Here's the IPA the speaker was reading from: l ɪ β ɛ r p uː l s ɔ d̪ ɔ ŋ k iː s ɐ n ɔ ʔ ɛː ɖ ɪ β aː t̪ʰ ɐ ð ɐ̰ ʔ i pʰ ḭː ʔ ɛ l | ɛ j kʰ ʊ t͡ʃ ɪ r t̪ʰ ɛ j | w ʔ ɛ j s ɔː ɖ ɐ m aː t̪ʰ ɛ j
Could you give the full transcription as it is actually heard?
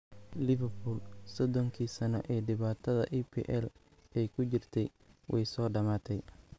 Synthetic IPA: l ɪ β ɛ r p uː l s ɔ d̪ ɔ ŋ kʰ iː s ɐ n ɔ ʔ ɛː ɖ ɪ β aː t̪ʰ ɐ ð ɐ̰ ʔ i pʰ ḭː ʔ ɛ l | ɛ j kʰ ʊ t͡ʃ ɪ r t̪ʰ ɛ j | w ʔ ɛ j s ɔː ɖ ɐ m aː t̪ʰ ɛ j

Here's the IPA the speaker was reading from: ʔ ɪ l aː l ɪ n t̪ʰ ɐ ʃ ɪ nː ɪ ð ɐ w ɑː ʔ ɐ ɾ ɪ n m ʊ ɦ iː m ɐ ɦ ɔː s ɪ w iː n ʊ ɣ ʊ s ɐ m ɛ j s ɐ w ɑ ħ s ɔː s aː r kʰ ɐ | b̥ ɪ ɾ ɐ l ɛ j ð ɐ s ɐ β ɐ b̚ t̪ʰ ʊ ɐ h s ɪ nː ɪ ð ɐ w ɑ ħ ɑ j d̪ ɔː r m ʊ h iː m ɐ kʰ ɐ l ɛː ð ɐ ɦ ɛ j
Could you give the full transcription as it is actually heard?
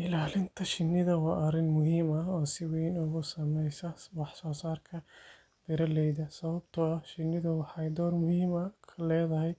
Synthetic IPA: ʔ ɪ l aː l ɪ n t̪ʰ ɐ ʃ ɪ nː ɪ ð ɐ w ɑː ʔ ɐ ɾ ɪ n m ʊ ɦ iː m ɐ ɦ ɔː s ɪ w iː n ʊ ɣ ʊ s ɐ m ɛ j s ɐ w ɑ ħ s ɔː s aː r kʰ ɐ | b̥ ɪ ɾ ɐ l ɛ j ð ɐ s ɐ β ɐ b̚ t̪ʰ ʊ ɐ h ʃ ɪ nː ɪ ð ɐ w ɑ ħ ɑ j d̪ ɔː r m ʊ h iː m ɐ kʰ ɐ l ɛː ð ɐ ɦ ɛ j

